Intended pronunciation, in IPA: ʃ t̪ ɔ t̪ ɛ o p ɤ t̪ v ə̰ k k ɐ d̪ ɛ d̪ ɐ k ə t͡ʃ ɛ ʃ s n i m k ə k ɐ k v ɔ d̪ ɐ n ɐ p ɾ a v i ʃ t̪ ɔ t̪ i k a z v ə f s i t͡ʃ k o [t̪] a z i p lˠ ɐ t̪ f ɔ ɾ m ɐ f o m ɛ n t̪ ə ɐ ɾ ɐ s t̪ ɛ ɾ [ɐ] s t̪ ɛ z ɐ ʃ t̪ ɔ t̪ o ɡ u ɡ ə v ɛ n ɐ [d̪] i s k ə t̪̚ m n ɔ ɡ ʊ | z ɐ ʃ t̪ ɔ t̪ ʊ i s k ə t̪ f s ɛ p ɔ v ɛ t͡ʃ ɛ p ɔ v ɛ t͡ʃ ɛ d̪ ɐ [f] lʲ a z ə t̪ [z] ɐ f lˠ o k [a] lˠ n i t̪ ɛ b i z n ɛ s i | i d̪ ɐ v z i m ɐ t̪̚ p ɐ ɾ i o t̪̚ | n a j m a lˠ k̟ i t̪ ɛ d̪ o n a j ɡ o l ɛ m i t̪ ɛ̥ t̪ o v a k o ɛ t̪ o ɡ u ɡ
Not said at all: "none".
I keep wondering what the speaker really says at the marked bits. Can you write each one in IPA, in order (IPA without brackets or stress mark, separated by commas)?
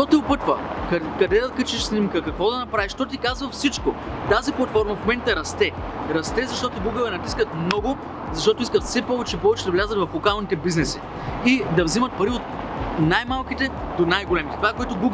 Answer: t̪, ɐ, t̪, v, v, a